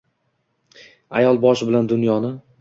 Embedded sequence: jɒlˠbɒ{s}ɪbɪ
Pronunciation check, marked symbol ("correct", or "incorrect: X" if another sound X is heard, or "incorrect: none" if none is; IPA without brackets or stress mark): incorrect: ʃ